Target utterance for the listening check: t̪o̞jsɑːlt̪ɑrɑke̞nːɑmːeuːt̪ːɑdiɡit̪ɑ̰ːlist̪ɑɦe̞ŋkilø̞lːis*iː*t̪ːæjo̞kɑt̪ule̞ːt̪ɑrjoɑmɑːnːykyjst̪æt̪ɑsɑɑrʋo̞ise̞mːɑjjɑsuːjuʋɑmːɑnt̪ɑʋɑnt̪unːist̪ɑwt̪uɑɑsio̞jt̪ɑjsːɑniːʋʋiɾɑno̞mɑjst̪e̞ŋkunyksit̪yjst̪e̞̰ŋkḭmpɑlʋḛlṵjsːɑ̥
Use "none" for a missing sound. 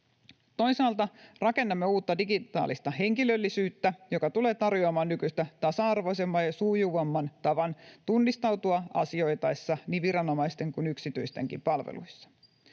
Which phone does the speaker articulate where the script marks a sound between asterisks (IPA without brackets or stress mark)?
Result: yː